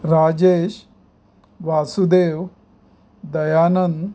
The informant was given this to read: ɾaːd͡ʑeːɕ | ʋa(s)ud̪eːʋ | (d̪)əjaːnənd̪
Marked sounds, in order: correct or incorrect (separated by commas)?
correct, correct